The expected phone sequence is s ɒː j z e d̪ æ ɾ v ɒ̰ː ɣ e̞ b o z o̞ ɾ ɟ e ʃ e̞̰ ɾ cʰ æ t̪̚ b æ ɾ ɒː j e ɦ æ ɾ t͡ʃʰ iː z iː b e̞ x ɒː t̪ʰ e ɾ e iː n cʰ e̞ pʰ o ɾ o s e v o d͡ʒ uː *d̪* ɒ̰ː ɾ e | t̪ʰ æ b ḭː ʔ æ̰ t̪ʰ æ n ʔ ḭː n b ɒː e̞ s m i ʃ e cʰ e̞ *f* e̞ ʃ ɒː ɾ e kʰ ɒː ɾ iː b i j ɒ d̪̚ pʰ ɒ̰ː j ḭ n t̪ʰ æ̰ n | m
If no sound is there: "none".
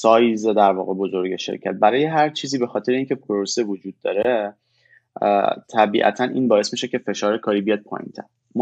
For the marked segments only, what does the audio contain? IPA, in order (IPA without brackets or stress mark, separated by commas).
d̪ː, f